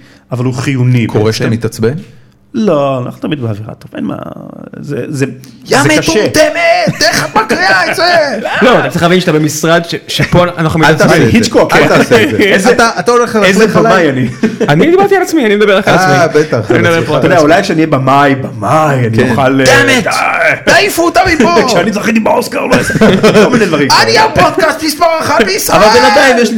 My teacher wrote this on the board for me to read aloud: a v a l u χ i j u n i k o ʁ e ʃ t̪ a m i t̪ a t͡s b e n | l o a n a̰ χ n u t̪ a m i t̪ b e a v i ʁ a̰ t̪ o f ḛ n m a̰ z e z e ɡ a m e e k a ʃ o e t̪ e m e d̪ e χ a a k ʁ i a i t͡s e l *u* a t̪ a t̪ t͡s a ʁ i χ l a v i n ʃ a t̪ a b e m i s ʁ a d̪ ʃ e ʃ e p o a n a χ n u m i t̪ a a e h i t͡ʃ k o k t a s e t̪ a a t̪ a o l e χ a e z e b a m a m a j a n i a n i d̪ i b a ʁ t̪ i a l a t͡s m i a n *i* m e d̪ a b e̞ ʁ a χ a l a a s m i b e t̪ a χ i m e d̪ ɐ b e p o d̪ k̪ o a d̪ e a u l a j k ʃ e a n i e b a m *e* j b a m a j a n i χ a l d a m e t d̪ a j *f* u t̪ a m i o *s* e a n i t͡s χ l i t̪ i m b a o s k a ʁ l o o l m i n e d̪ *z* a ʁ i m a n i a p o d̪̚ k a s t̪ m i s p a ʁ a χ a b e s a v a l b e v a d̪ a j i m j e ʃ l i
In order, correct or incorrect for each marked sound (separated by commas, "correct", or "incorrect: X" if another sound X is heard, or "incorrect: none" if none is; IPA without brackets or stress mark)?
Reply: incorrect: o, correct, incorrect: a, correct, incorrect: ʃ, incorrect: v